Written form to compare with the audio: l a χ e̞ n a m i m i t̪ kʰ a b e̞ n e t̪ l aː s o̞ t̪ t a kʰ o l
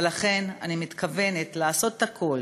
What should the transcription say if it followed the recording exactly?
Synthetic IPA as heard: l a χ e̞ n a n i m i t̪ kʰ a v e̞ n e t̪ l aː s o̞ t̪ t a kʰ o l